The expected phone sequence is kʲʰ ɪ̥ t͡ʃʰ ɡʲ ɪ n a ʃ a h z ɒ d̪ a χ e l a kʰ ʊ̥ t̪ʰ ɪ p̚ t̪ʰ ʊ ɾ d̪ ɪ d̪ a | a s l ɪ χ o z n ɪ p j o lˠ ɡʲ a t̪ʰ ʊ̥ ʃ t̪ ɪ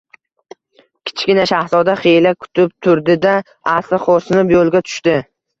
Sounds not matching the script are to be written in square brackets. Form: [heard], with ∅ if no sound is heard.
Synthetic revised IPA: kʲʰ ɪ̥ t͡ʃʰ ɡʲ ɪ n a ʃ a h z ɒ d̪ a χ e l a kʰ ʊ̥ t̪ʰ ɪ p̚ t̪ʰ ʊ ɾ d̪ ɪ d̪ a | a s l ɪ χ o [s] n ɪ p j o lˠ ɡʲ a t̪ʰ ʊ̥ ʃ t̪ ɪ